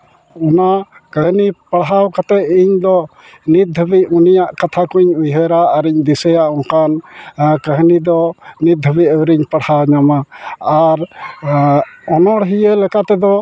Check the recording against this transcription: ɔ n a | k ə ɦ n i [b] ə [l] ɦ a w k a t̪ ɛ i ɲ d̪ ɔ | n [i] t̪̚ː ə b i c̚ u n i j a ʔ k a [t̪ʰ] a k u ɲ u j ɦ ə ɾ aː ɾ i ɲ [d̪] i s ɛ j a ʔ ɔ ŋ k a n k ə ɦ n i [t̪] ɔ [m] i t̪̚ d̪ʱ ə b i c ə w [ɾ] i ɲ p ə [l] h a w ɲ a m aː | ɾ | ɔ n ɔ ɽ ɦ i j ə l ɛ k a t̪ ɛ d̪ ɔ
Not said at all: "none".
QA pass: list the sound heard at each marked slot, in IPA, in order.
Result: p, ɽ, i, t̪ʰ, d̪, d̪, n, ɾ, ɽ

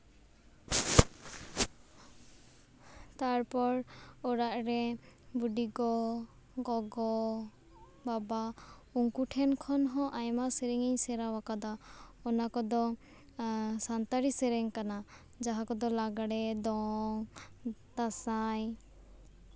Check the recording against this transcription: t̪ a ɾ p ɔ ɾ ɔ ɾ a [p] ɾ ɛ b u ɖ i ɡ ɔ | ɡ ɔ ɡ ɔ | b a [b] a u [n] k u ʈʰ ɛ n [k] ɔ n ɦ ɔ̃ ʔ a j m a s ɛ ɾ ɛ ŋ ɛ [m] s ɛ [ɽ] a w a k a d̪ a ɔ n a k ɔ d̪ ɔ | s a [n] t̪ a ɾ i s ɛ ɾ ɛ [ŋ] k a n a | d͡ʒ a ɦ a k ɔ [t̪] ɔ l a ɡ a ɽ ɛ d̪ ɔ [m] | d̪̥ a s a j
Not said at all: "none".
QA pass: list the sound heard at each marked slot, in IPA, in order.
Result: ʔ, b, ŋ, kʰ, ɲ, ɾ, n, ŋ, d̪, ŋ

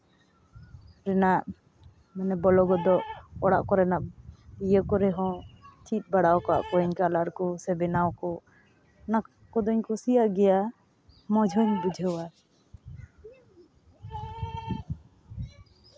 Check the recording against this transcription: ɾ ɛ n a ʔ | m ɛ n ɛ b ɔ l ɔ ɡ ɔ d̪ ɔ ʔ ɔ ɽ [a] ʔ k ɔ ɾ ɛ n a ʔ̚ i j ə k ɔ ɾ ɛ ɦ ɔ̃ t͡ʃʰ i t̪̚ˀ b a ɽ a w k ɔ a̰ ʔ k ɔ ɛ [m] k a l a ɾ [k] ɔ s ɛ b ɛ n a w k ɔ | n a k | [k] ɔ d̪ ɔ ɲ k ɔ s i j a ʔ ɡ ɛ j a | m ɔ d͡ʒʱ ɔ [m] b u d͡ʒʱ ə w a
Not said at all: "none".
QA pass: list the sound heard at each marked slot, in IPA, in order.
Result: a, ɲ, k, k, ɲ

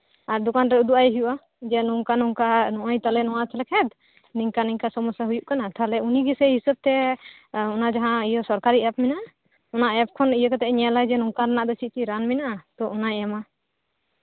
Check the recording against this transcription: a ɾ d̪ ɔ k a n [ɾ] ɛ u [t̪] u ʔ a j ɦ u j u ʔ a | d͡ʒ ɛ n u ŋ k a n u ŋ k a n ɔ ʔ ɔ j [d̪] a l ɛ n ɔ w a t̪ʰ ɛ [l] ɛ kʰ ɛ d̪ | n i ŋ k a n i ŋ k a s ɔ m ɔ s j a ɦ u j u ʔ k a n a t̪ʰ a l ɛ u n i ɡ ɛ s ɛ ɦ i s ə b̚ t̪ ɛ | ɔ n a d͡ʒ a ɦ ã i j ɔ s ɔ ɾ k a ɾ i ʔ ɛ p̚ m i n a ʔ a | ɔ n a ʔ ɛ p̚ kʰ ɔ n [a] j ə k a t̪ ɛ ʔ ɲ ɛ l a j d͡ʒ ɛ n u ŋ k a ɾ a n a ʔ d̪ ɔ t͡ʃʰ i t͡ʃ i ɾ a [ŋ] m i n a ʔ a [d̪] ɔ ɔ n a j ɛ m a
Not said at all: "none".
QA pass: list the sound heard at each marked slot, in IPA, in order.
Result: ɾ, d̪, t̪, l, i, n, t̪

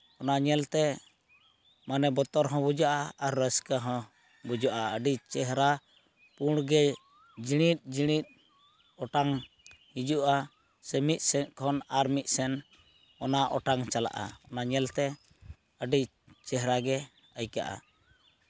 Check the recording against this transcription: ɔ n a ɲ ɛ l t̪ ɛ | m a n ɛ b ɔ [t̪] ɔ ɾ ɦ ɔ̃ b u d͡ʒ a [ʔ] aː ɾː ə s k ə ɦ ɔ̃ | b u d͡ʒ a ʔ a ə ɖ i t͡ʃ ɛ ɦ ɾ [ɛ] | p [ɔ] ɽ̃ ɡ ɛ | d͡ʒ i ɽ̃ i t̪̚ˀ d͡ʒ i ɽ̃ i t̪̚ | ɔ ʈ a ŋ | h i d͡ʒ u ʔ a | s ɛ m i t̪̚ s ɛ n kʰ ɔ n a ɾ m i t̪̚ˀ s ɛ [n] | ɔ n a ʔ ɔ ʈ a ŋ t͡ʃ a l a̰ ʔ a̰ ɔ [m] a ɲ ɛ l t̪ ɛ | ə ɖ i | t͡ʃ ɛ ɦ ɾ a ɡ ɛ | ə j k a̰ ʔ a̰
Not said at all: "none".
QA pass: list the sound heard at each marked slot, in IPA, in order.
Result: t̪, ʔ, a, u, n, n

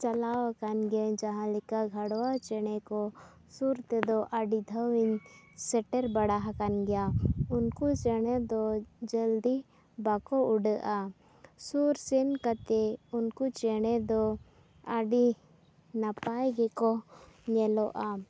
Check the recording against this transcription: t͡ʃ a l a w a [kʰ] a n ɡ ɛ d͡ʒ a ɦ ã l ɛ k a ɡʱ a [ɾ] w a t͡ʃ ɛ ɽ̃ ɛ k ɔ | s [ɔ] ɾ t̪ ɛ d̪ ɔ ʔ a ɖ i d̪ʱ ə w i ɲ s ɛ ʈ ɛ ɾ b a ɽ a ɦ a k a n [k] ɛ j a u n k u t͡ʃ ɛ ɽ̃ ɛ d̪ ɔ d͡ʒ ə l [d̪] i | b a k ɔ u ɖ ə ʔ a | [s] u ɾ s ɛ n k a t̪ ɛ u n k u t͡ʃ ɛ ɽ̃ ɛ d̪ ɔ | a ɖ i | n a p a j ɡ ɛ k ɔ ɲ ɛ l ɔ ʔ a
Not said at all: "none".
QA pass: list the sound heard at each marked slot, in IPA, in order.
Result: k, ɽ, u, ɡ, d̪, s

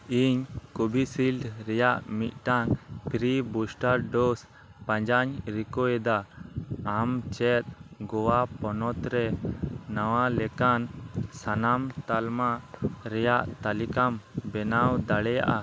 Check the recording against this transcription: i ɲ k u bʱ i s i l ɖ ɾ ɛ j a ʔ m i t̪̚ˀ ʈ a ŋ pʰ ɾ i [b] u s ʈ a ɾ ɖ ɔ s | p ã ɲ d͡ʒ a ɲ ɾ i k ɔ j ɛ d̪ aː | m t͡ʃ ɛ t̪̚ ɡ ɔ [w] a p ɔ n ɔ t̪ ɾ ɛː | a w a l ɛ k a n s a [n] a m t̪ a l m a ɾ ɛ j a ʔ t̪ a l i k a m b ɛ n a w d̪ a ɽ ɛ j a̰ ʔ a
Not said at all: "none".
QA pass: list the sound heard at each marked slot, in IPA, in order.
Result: b, w, n

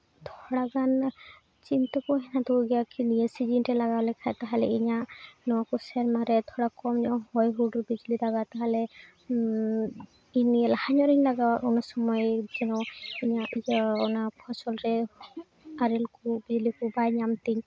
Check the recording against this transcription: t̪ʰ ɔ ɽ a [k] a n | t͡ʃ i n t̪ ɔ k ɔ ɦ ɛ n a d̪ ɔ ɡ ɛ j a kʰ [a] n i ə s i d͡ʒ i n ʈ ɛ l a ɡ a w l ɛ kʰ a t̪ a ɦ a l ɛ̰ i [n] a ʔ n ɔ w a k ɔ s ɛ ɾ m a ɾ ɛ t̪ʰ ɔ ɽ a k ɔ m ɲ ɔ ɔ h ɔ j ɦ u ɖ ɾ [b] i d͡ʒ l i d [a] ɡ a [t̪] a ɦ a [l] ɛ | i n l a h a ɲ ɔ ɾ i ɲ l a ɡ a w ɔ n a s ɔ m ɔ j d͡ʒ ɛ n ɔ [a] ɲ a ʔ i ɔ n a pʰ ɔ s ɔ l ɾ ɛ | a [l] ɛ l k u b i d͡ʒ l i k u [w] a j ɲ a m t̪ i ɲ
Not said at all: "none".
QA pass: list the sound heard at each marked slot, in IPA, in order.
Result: ɡ, i, ɲ, b, a, t̪, l, i, ɾ, b

